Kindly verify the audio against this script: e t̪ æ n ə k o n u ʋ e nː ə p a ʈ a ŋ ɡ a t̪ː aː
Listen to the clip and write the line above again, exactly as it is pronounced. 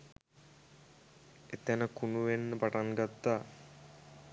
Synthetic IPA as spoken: e t̪ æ n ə k u n u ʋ e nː ə p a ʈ a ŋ ɡ a t̪ː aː